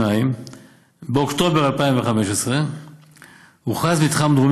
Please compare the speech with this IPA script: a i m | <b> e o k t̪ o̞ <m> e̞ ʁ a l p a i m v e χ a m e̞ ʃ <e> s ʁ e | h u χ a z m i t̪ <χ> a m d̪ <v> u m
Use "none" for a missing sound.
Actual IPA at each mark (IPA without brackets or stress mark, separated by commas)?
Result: b, b, e, χ, ʁ